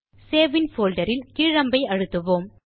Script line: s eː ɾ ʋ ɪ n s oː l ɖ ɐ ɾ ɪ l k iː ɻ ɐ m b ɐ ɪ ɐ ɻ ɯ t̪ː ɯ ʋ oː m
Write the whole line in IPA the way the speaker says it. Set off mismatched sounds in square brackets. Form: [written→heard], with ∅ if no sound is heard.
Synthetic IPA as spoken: s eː [ɾ→∅] ʋ ɪ n [s→f] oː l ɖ ɐ ɾ ɪ l k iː ɻ ɐ m b ɐ ɪ ɐ ɻ ɯ t̪ː ɯ ʋ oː m